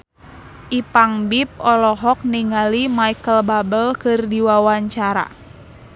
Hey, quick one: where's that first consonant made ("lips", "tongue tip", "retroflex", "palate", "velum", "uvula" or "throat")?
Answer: throat